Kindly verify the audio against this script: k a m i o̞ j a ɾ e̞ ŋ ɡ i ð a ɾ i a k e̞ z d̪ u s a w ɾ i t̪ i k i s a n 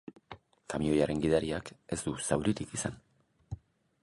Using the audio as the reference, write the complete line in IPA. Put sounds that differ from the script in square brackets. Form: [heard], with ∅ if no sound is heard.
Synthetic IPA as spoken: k a m i o̞ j a ɾ e̞ ŋ ɡ i ð a ɾ i a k e̞ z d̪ u s a w ɾ i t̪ i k i s a n